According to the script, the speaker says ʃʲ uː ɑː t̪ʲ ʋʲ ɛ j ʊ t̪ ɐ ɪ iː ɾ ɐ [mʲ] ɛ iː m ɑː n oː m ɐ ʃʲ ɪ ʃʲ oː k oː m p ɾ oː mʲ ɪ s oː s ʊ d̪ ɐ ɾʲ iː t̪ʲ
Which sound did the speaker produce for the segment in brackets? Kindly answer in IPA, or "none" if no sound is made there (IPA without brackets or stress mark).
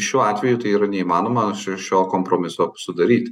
nʲ